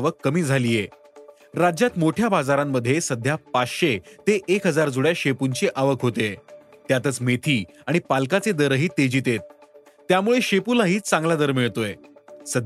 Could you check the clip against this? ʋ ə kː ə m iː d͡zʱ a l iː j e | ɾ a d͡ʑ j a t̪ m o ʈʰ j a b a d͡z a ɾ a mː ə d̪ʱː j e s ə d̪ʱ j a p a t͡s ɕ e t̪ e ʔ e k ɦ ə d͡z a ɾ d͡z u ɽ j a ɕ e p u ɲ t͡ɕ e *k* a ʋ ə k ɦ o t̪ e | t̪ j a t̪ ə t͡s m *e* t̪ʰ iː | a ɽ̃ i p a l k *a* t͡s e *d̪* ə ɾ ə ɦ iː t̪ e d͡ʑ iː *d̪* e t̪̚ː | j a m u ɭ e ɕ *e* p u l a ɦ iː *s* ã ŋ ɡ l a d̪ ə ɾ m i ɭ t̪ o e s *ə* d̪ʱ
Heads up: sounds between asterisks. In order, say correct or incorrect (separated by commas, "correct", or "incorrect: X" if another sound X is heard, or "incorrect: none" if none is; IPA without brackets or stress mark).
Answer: incorrect: ʔ, correct, correct, correct, incorrect: t̪, correct, incorrect: t͡s, correct